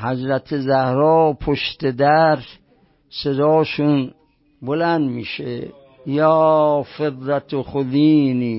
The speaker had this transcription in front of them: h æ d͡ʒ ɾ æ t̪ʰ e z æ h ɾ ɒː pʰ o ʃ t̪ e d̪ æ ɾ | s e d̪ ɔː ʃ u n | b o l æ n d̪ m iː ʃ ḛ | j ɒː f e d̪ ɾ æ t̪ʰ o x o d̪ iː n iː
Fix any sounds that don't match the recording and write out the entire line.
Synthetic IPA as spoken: h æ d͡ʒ ɾ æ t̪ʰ e z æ h ɾ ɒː pʰ o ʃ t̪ e d̪ æ ɾ | s e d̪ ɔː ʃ u n | b o l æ n d̪ m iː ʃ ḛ | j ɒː f e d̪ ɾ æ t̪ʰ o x o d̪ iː n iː